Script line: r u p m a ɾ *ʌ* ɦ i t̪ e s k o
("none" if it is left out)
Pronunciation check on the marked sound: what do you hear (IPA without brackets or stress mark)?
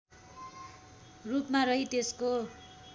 ʌ